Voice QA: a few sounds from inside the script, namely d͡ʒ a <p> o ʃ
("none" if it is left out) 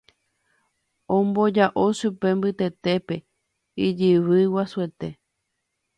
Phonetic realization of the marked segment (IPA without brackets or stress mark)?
ʔ